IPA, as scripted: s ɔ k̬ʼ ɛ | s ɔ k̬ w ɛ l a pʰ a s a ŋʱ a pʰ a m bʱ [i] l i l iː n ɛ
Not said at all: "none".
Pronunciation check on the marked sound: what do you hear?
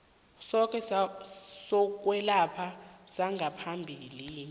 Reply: i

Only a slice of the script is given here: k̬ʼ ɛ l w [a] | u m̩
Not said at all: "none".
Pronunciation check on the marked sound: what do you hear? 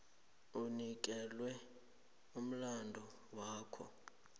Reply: ɛ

